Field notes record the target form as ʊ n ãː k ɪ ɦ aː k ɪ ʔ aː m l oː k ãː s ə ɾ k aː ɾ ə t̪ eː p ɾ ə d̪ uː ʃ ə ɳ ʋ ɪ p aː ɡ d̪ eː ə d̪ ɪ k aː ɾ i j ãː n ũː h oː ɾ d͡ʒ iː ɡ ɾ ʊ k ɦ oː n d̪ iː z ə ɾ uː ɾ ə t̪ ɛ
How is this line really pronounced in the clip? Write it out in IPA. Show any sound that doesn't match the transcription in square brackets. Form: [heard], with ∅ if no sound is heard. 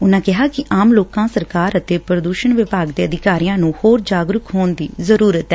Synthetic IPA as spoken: ʊ n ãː k ɪ ɦ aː k ɪ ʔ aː m l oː k ãː s ə ɾ k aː ɾ ə t̪ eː p ɾ ə d̪ uː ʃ ə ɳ ʋ ɪ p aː ɡ d̪ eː ə d̪ ɪ k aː ɾ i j ãː n ũː h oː ɾ d͡ʒ [aː] ɡ ɾ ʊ k ɦ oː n d̪ iː z ə ɾ uː ɾ ə t̪ ɛ